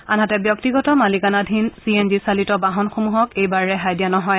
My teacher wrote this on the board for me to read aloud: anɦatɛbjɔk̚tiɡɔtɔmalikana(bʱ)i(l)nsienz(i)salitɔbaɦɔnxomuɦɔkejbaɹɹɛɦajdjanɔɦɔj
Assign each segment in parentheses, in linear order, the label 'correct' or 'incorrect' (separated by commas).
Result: incorrect, incorrect, correct